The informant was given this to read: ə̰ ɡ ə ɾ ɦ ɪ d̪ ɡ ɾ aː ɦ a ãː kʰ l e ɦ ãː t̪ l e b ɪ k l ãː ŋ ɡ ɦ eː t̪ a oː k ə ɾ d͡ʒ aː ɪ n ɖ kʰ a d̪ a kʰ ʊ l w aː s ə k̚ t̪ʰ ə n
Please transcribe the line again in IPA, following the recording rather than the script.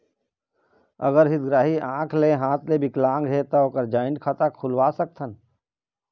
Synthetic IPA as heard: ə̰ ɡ ə ɾ ɦ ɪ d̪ ɡ ɾ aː ɦ i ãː kʰ l e ɦ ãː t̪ l e b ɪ k l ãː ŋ ɡ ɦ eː t̪ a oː k ə ɾ d͡ʒ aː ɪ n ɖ kʰ a t̪ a kʰ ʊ l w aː s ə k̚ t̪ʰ ə n